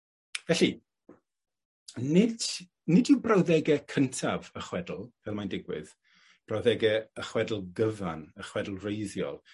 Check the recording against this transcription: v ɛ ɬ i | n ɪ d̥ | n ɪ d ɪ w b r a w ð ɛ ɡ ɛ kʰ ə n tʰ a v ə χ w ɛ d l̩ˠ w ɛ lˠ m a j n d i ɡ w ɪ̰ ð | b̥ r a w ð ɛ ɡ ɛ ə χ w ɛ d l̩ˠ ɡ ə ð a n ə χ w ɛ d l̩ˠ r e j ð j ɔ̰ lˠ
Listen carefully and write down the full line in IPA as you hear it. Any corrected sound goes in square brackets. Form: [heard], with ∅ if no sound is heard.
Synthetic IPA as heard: v ɛ ɬ i | n ɪ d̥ | n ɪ d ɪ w b r a w ð ɛ ɡ ɛ kʰ ə n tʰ a v ə χ w ɛ d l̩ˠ [v] ɛ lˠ m a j n d [ɪ] ɡ w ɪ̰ ð | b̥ r a w ð ɛ ɡ ɛ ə χ w ɛ d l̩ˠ ɡ ə [v] a n ə χ w ɛ d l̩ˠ r e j ð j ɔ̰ lˠ